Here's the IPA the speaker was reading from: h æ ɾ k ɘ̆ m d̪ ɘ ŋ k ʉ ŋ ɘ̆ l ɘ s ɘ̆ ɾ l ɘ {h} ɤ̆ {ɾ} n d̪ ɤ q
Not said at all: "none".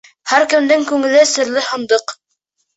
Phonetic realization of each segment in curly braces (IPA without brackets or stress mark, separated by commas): h, none